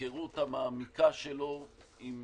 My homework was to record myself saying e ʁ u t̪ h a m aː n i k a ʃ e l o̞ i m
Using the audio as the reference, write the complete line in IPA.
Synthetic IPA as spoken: e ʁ u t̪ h a m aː m i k a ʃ e l o̞ i m